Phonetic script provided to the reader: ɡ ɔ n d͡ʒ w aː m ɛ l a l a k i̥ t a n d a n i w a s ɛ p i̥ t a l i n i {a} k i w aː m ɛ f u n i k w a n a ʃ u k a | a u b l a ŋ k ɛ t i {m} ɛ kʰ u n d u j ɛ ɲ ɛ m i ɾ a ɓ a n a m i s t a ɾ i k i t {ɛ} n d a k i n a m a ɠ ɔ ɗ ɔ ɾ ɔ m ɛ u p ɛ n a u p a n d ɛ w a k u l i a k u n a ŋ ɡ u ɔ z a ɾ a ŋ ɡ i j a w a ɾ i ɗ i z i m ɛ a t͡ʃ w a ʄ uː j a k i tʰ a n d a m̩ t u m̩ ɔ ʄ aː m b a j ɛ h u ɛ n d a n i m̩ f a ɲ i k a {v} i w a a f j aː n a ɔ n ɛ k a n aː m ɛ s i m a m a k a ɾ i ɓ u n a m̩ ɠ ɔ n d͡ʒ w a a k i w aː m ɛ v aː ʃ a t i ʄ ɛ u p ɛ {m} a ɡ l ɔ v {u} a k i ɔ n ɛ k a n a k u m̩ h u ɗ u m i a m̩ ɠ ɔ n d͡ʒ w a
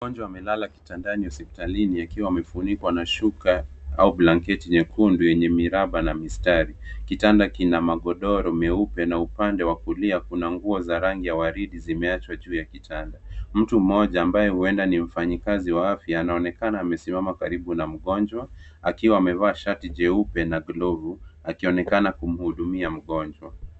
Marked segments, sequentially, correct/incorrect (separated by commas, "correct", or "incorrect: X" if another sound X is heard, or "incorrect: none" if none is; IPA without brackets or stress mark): correct, incorrect: ɲ, incorrect: a, incorrect: z, incorrect: n, correct